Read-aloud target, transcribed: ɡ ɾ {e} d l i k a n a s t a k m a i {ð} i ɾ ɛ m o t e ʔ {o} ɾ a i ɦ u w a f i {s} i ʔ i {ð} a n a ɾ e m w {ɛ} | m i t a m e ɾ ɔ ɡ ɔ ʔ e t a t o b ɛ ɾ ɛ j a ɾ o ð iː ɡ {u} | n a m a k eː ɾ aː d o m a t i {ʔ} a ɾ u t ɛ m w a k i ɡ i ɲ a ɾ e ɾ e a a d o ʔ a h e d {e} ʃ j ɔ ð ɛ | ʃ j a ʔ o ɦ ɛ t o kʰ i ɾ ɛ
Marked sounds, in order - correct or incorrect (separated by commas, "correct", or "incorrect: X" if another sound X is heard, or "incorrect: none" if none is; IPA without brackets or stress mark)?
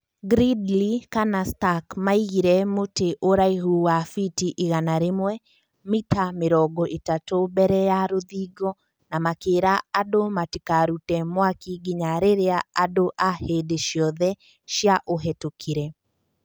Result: incorrect: i, incorrect: ɣ, correct, incorrect: t, incorrect: ɣ, correct, incorrect: ɔ, incorrect: k, correct